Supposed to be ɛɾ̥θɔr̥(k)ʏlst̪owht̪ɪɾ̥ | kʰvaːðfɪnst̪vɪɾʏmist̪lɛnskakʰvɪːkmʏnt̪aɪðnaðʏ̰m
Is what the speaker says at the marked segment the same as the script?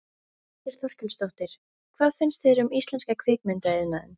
no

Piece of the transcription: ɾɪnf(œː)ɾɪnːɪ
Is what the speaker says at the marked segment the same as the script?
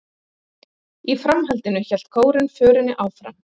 yes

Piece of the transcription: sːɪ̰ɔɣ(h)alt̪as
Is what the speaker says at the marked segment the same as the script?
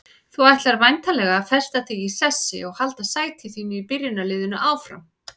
yes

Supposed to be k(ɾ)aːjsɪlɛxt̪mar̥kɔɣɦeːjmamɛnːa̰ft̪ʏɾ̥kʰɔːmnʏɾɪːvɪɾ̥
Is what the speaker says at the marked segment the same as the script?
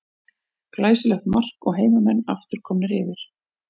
no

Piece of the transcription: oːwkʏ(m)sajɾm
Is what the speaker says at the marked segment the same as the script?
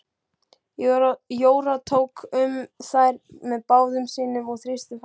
yes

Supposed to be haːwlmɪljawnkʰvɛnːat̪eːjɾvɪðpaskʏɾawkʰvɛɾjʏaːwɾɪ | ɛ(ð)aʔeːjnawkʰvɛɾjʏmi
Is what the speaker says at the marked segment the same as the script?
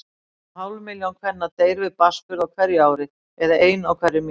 yes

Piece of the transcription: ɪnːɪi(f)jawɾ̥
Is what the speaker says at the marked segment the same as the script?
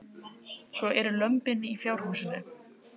yes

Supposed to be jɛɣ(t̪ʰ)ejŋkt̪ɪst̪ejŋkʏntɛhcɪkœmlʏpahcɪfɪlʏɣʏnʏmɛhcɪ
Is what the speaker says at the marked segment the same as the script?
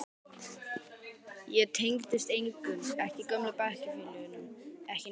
yes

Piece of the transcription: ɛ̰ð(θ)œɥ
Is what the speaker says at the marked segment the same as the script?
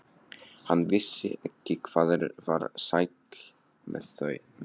yes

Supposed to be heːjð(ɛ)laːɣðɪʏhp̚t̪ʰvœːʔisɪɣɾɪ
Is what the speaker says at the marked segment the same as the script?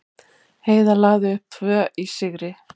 no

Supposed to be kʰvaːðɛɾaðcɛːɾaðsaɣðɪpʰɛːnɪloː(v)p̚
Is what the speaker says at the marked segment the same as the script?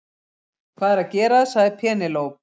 no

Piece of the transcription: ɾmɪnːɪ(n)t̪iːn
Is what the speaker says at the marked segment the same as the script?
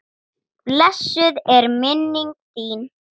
no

